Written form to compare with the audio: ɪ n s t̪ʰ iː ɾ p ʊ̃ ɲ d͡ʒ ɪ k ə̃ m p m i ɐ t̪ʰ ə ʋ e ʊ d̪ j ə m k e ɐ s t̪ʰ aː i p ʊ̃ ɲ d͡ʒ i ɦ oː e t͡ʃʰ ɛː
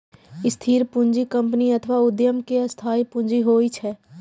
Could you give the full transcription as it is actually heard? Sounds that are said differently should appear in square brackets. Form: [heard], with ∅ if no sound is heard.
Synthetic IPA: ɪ [∅] s t̪ʰ iː ɾ p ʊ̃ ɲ d͡ʒ [i] k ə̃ m p [n] i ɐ t̪ʰ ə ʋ [a] ʊ d̪ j ə m k e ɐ s t̪ʰ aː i p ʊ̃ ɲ d͡ʒ i ɦ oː [i] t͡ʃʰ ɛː